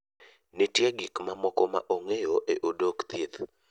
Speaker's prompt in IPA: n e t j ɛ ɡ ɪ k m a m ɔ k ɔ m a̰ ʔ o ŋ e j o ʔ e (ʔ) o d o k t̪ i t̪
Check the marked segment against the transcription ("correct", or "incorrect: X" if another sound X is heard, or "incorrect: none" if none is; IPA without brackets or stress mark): correct